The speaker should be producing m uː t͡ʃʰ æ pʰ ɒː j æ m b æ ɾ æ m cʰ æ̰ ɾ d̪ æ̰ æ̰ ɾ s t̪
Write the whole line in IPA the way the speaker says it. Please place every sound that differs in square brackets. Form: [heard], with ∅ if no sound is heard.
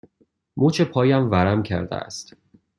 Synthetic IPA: m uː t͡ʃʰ [e] pʰ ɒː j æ m [v] æ ɾ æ m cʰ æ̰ ɾ d̪ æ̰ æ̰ [∅] s t̪

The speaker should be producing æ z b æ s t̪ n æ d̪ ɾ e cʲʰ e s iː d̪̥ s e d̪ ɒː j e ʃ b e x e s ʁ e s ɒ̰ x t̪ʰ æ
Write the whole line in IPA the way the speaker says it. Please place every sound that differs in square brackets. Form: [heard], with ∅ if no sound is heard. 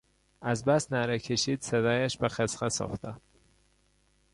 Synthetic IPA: æ z b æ s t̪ n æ [∅] ɾ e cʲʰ e [ʃ] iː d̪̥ s e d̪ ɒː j [æ] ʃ b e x e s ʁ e s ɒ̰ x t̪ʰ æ

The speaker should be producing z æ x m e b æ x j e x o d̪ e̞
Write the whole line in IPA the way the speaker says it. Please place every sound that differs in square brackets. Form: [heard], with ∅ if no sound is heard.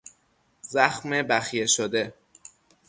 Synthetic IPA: z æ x m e b æ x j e [ʃ] o d̪ e̞

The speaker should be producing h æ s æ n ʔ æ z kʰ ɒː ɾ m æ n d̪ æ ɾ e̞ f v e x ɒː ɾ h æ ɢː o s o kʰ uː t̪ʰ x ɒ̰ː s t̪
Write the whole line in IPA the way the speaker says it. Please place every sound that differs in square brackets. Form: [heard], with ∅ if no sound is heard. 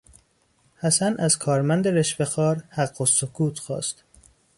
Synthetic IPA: h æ s æ n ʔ æ z kʰ ɒː ɾ m æ n d̪ [e] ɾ e̞ [ʃ] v e x ɒː ɾ h æ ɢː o s o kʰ uː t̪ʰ x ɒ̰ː s t̪

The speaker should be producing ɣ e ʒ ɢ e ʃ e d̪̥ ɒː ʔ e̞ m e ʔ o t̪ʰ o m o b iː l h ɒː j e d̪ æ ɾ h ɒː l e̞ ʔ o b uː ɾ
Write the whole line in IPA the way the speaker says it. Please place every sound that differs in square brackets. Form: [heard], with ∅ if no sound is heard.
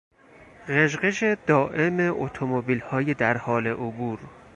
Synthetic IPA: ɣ e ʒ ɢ e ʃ e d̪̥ ɒː ʔ e̞ m e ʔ o t̪ʰ o m o b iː l h ɒː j e d̪ æ ɾ h ɒː l e̞ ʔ o b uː ɾ

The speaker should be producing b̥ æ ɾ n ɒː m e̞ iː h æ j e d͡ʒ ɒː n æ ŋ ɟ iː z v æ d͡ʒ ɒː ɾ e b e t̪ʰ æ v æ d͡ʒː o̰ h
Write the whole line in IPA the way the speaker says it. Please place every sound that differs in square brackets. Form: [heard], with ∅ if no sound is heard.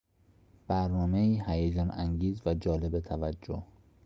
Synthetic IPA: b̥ æ ɾ n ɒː m e̞ iː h æ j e d͡ʒ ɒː n æ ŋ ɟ iː z v æ d͡ʒ ɒː [l] e b e t̪ʰ æ v æ d͡ʒː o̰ h

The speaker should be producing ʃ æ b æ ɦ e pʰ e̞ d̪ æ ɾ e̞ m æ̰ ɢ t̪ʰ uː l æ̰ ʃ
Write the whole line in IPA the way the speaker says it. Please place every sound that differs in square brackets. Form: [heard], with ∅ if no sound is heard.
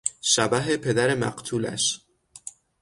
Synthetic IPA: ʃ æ b æ ɦ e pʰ e̞ d̪ æ ɾ e̞ m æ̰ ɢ t̪ʰ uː l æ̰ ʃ

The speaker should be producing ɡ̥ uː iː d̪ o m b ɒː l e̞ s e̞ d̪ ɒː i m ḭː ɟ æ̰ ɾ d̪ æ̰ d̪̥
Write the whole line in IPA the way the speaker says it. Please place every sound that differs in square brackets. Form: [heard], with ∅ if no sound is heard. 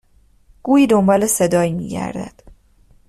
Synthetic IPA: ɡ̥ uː iː d̪ o m b ɒː l e̞ s e̞ d̪ ɒː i m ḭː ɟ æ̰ ɾ d̪ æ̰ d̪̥

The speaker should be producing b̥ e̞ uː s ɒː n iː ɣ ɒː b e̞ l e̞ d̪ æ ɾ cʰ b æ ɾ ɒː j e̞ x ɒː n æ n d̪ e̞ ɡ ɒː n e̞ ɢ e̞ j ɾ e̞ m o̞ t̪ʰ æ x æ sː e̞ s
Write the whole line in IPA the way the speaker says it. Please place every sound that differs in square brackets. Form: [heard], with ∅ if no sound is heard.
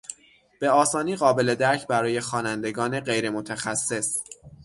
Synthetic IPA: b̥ e̞ [ɒː] s ɒː n iː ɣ ɒː b e̞ l e̞ d̪ æ ɾ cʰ b æ ɾ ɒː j e̞ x ɒː n æ n d̪ e̞ ɡ ɒː n e̞ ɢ e̞ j ɾ e̞ m o̞ t̪ʰ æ x æ sː e̞ s

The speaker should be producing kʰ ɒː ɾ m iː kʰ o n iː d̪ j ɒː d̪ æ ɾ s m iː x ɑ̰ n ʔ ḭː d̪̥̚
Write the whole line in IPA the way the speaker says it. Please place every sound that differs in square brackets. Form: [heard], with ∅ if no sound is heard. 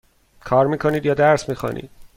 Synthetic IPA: kʰ ɒː ɾ m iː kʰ o n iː d̪ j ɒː d̪ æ ɾ s m iː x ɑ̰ n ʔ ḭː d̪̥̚

